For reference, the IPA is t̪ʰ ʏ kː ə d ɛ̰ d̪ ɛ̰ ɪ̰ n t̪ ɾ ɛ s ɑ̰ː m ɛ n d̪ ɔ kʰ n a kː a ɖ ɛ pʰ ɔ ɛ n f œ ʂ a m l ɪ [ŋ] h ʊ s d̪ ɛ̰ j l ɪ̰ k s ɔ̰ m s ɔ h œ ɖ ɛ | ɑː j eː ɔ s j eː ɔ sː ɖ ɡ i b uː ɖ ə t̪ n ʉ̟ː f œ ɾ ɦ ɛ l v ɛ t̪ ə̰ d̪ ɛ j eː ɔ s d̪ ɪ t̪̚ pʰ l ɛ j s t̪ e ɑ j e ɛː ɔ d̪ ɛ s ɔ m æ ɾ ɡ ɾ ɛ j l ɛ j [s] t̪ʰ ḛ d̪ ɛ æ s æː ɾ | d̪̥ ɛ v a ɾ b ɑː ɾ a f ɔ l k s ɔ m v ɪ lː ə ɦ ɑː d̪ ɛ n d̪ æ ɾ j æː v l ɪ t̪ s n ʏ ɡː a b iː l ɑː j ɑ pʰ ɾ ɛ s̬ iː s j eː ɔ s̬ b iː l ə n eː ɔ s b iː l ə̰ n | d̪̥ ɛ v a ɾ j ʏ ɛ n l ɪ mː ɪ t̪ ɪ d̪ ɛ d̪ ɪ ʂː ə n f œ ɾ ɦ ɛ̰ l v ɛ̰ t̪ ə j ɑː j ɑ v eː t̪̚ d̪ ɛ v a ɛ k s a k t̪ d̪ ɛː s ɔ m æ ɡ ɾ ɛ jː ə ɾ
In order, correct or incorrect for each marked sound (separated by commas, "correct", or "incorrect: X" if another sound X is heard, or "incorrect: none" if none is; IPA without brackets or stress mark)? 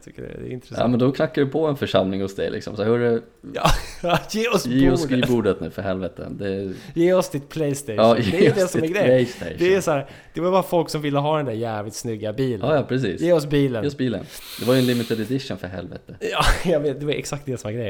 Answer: correct, correct